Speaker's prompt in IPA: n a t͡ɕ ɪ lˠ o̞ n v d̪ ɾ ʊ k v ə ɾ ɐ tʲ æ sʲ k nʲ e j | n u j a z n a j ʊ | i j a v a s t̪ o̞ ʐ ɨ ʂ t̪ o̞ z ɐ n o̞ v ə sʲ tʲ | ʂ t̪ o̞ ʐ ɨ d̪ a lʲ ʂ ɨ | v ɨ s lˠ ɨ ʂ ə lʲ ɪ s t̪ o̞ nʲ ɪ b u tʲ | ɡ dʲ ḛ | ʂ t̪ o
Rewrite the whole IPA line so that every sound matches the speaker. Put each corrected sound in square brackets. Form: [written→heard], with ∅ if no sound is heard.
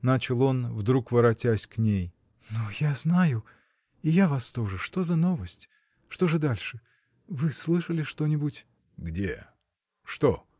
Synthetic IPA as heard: n a t͡ɕ ɪ lˠ o̞ n v d̪ ɾ [ʊ→u] k v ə ɾ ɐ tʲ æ sʲ k nʲ e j | n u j a z n a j ʊ | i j a v a s t̪ o̞ ʐ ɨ ʂ t̪ o̞ z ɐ n o̞ v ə sʲ tʲ | ʂ t̪ o̞ ʐ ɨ d̪ a lʲ ʂ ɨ | v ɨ s lˠ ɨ ʂ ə lʲ ɪ [s→ʂ] t̪ o̞ nʲ ɪ b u tʲ | ɡ dʲ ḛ | ʂ t̪ o